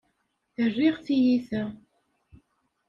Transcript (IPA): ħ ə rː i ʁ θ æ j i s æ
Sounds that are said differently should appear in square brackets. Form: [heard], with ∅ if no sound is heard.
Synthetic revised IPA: [θ] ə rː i ʁ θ [i] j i [θ] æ